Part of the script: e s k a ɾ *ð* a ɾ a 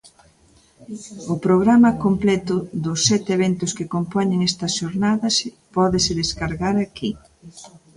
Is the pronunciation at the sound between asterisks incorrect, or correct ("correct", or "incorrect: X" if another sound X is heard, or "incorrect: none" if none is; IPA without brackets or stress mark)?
incorrect: ɣ